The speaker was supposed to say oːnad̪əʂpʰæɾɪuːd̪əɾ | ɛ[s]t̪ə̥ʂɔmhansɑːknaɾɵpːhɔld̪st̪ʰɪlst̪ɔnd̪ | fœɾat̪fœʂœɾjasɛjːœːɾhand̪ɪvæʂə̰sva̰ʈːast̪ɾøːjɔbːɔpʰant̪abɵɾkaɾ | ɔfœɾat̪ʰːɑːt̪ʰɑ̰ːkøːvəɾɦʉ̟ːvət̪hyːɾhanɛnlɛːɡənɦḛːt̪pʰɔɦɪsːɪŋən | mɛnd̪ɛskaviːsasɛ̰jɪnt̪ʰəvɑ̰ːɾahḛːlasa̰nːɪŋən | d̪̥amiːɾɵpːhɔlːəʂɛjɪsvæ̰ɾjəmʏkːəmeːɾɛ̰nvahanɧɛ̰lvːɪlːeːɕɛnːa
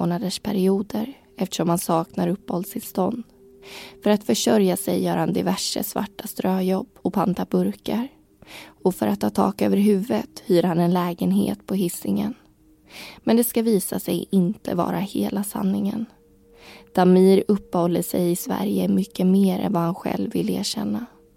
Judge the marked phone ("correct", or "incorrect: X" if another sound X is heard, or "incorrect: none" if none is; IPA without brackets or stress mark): incorrect: f